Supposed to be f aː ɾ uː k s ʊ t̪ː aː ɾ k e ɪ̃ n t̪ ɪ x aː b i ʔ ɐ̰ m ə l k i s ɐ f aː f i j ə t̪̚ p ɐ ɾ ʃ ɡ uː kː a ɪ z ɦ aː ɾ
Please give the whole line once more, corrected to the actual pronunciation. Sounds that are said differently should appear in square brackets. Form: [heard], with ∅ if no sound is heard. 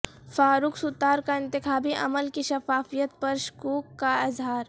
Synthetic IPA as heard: f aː ɾ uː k s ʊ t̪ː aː ɾ k [a] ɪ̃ n t̪ ɪ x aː b i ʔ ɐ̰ m ə l k i [ʃ] ɐ f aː f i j ə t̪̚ p ɐ ɾ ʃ [k] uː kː a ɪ z ɦ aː ɾ